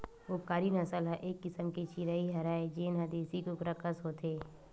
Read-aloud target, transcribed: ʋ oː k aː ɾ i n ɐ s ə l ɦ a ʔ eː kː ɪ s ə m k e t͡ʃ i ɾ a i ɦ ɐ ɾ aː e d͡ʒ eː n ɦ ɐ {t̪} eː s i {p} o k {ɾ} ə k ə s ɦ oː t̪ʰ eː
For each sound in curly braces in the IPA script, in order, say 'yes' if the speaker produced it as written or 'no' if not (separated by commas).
no, no, yes